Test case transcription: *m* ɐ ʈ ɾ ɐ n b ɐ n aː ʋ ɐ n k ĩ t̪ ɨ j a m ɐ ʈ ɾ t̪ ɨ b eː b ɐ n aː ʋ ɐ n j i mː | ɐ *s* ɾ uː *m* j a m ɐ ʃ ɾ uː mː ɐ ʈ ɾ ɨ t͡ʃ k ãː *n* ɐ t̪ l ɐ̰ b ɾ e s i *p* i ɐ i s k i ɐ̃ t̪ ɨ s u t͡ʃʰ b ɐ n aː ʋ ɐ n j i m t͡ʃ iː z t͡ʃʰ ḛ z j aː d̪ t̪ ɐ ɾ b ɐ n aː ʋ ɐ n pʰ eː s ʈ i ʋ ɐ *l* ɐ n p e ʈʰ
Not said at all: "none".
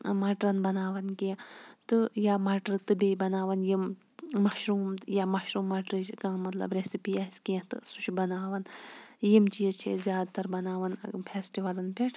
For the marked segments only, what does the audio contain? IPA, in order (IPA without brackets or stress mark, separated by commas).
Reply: m, ʃ, m, m, p, l